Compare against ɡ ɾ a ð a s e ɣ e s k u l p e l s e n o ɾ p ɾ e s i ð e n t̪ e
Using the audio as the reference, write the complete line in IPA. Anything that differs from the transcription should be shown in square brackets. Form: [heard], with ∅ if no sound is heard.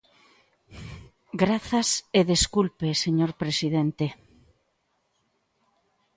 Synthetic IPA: ɡ ɾ a [θ] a s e [ð] e s k u l p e [∅] s e [ɲ] o ɾ p ɾ e s i ð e n t̪ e